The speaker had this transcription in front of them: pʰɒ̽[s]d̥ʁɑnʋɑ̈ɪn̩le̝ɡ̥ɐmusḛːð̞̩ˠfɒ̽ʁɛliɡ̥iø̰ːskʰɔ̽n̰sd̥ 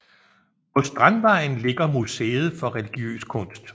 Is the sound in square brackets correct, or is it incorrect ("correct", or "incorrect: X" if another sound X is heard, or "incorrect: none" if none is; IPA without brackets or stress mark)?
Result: correct